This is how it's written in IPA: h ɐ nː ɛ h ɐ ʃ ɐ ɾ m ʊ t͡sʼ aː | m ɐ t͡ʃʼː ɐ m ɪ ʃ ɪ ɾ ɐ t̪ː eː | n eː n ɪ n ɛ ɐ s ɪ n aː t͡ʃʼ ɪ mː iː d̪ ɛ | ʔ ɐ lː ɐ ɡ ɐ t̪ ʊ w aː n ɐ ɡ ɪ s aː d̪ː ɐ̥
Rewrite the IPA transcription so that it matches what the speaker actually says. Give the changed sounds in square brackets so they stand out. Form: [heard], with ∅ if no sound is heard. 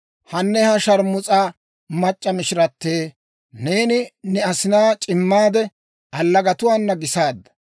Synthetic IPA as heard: h ɐ nː ɛ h ɐ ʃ ɐ ɾ m ʊ t͡sʼ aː | m ɐ t͡ʃʼː ɐ m ɪ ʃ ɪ ɾ ɐ t̪ː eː | n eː n ɪ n ɛ ɐ s ɪ n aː t͡ʃʼ ɪ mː [aː] d̪ ɛ | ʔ ɐ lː ɐ ɡ ɐ t̪ ʊ w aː [nː] ɐ ɡ ɪ s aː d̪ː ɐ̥